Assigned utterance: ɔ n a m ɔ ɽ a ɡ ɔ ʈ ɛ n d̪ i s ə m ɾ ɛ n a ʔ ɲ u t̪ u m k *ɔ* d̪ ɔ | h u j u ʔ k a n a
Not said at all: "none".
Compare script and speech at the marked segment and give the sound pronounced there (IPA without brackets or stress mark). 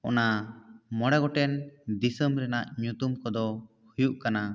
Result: ɔ